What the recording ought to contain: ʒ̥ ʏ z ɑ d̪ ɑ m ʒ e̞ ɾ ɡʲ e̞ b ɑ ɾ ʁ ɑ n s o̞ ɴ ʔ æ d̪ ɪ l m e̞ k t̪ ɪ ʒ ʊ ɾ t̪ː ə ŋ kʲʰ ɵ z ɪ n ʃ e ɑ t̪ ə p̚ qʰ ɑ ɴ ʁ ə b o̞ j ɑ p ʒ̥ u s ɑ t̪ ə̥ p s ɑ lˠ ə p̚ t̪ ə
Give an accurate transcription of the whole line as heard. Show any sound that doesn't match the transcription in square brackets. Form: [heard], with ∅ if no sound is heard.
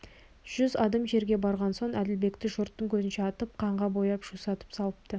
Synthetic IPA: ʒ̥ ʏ z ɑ d̪ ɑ m ʒ e̞ ɾ ɡʲ e̞ b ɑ ɾ ʁ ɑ n s o̞ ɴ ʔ æ d̪ ɪ l [b] e̞ k t̪ ɪ ʒ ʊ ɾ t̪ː ə ŋ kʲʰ ɵ z ɪ n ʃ e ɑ t̪ ə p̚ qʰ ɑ ɴ ʁ [ɑ] b o̞ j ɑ p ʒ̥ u s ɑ t̪ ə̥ p s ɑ lˠ ə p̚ t̪ ə